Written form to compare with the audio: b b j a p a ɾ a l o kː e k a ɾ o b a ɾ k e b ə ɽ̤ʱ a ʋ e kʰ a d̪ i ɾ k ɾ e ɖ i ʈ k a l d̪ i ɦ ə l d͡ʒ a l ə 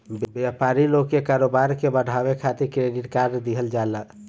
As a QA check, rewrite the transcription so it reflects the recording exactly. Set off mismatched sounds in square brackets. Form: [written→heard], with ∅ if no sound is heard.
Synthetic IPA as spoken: b b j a p a ɾ [a→i] l o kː e k a ɾ o b a ɾ k e b ə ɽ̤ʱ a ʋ e kʰ a [d̪→t̪] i ɾ k ɾ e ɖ i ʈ k a [l→ɾ] d̪ i ɦ ə l d͡ʒ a l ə